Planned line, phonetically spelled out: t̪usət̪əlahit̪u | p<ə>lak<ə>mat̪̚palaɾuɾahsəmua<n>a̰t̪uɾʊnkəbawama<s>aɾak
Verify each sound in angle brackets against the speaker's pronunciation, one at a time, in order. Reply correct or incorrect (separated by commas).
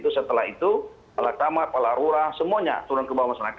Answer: incorrect, incorrect, incorrect, correct